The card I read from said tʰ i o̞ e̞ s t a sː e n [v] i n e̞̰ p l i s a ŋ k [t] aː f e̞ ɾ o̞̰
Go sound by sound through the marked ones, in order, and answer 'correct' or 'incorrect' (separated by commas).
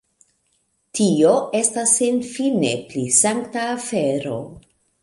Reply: incorrect, correct